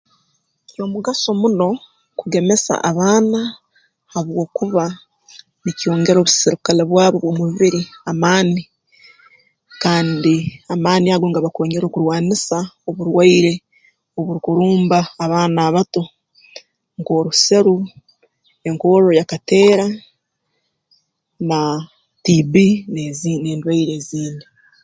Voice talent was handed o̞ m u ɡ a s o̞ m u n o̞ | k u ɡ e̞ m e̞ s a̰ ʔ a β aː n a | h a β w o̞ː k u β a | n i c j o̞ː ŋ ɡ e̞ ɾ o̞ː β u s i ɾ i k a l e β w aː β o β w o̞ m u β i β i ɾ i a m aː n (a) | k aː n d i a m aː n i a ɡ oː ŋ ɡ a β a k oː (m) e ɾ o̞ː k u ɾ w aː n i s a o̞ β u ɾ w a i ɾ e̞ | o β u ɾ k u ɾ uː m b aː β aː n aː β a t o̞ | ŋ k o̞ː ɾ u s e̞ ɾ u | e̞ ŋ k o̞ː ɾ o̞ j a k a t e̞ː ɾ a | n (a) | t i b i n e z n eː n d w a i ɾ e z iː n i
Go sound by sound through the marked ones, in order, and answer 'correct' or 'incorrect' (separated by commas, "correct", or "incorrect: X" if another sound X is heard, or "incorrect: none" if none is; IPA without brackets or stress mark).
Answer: incorrect: i, incorrect: ɲ, correct